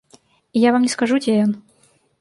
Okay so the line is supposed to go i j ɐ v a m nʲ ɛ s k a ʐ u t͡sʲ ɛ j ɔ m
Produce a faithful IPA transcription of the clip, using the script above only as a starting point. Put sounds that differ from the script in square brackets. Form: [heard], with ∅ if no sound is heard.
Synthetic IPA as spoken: i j [a] v a m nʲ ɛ s k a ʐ u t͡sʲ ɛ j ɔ [n]